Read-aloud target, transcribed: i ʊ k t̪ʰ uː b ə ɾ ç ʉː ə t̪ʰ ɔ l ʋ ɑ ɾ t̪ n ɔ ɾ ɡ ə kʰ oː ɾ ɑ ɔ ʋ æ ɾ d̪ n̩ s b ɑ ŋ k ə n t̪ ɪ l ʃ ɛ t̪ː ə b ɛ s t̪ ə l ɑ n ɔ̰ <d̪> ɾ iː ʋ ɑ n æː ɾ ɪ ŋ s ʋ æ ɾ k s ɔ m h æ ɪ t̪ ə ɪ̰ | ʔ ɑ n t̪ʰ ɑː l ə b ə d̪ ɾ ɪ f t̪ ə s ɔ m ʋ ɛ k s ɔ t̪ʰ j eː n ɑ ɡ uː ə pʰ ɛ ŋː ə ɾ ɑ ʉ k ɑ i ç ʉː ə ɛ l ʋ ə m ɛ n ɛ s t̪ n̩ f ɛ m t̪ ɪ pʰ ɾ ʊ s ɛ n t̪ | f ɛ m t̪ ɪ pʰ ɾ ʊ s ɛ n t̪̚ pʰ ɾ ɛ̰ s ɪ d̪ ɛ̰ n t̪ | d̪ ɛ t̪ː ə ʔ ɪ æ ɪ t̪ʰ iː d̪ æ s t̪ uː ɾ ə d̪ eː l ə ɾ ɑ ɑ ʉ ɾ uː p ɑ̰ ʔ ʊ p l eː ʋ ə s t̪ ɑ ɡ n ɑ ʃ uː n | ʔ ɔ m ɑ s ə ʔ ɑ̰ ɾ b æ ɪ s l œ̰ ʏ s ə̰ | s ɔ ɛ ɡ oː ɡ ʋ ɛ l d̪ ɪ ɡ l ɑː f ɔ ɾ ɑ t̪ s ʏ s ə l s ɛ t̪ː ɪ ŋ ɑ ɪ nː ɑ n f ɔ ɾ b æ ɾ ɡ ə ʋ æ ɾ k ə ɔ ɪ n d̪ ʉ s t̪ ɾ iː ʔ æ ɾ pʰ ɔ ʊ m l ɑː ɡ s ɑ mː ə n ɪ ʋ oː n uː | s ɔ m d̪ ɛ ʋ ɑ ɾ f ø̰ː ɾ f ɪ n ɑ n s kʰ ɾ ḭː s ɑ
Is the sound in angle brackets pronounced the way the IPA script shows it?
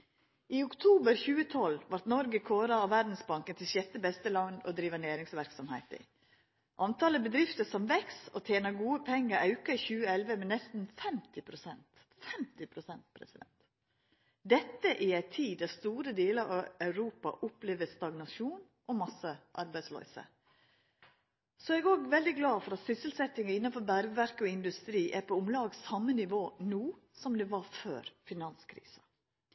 yes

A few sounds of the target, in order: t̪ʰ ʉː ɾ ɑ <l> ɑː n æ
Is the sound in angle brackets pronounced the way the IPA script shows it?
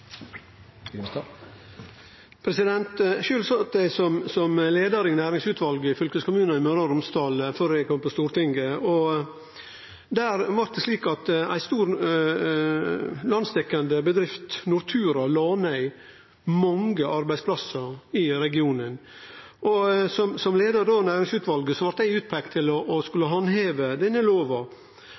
yes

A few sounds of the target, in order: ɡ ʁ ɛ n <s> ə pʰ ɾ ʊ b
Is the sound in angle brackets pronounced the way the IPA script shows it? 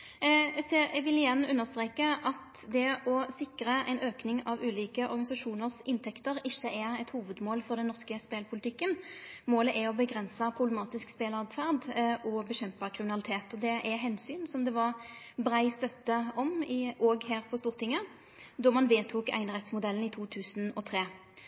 yes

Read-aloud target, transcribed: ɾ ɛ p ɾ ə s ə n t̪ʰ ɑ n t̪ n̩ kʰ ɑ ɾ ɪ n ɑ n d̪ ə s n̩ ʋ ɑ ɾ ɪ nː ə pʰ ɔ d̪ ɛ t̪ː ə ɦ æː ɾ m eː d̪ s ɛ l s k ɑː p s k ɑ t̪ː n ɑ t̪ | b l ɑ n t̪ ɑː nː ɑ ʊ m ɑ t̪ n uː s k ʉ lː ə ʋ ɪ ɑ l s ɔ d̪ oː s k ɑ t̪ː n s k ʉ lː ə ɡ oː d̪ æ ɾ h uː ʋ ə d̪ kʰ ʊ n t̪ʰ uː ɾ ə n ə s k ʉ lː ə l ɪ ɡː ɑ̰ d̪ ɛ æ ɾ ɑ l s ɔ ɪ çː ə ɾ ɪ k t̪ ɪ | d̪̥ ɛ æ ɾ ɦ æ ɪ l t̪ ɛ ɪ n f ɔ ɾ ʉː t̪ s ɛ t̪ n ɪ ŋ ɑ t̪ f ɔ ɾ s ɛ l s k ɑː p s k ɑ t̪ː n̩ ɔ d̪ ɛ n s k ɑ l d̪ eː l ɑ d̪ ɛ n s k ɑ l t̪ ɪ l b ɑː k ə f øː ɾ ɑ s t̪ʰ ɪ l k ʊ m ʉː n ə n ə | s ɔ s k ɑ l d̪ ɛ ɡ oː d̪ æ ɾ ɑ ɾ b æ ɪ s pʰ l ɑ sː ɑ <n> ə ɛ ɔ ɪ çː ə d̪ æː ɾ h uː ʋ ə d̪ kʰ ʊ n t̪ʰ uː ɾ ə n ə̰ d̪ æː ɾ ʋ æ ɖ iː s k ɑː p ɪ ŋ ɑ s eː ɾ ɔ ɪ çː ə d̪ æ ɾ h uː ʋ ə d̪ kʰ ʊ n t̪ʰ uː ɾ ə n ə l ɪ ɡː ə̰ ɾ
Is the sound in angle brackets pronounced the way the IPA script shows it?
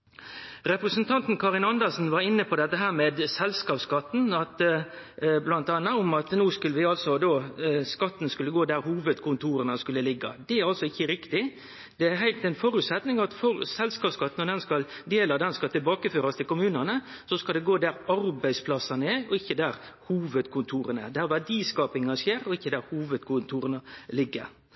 yes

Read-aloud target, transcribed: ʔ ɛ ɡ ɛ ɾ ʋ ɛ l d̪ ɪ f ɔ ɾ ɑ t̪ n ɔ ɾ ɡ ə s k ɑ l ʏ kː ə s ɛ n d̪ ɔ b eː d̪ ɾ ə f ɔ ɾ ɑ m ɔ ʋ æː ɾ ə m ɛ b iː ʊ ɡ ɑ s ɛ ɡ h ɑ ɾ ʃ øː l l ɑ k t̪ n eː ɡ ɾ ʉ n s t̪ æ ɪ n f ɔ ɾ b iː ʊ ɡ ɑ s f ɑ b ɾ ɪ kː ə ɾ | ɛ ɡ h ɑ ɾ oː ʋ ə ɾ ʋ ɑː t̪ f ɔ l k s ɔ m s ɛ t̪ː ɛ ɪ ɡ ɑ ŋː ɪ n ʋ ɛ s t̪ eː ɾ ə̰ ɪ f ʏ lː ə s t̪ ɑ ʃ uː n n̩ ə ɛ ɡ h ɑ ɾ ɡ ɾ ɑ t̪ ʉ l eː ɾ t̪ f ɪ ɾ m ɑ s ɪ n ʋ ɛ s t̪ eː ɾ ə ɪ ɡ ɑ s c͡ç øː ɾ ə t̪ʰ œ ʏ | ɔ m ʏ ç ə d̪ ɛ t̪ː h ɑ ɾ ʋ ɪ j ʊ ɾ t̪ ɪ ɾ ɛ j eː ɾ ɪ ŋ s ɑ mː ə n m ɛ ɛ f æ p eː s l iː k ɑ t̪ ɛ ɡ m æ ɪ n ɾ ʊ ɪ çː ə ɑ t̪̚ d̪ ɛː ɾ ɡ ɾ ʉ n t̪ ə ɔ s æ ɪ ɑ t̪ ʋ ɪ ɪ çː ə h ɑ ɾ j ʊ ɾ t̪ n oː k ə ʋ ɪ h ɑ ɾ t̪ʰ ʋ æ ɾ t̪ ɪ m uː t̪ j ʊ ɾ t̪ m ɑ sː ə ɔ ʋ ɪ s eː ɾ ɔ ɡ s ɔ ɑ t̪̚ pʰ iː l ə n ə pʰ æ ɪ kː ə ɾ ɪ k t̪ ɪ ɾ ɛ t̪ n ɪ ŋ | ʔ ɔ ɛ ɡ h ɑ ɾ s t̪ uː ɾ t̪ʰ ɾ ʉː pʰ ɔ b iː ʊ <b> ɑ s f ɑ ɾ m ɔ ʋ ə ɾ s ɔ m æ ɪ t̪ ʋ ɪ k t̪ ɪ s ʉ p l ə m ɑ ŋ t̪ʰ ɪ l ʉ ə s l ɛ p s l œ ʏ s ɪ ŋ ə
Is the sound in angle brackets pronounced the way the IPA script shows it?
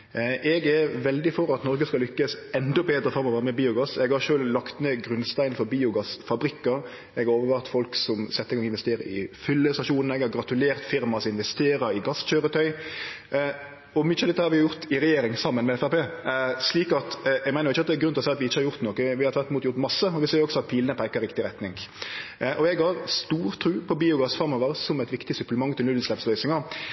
no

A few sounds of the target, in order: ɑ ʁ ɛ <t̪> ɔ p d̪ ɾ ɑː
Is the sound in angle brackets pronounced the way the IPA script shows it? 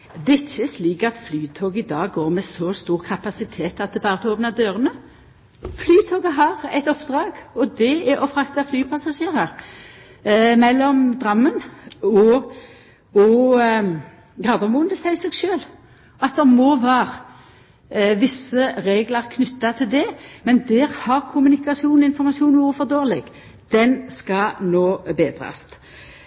yes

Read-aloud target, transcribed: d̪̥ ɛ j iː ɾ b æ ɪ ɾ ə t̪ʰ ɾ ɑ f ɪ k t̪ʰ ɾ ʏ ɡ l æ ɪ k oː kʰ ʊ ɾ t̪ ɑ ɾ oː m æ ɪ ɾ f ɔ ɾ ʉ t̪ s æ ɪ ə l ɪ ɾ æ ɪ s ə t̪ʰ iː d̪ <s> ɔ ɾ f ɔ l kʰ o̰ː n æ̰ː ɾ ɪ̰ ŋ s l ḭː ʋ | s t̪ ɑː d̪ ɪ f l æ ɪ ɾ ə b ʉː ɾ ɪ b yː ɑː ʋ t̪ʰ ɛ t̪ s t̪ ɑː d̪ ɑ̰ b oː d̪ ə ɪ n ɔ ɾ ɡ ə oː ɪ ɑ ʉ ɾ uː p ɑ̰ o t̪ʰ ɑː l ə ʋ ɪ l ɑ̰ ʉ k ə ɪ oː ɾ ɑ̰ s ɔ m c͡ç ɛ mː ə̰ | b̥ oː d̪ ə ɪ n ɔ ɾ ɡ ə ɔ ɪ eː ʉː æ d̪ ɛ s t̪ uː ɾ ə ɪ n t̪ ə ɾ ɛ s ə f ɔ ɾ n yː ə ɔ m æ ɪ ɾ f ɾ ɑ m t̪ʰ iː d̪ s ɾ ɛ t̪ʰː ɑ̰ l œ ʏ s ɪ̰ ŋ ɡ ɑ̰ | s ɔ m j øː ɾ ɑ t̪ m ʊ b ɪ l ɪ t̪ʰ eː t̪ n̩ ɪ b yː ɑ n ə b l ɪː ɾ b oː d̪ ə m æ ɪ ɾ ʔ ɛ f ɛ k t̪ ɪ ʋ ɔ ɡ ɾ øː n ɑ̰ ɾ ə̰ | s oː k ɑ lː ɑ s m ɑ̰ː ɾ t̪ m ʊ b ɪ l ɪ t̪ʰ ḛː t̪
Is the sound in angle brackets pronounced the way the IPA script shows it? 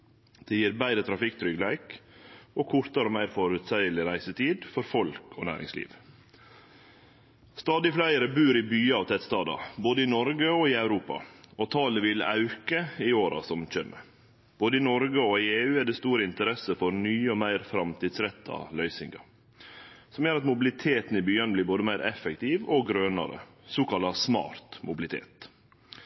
no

